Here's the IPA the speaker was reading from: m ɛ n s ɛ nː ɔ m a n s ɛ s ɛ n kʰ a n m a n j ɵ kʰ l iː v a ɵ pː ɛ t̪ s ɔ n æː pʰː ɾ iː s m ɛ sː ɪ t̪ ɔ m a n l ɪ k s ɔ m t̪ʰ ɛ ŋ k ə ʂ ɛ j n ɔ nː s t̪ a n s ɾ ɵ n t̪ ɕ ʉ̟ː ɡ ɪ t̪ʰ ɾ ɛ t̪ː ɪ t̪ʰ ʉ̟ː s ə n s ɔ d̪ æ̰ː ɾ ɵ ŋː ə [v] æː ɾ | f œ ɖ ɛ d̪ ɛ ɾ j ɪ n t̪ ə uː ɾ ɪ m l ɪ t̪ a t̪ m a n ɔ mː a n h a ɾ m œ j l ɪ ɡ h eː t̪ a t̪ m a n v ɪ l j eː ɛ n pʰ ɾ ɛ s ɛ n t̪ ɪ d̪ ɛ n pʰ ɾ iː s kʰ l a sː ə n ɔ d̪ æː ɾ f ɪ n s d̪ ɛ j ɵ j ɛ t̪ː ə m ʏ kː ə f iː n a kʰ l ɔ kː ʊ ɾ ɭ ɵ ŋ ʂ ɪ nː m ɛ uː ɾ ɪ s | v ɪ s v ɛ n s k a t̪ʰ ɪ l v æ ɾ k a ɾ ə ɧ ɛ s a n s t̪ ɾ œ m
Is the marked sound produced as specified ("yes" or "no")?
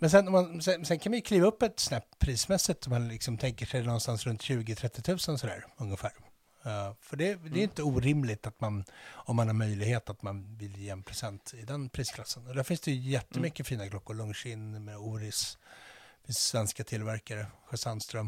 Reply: no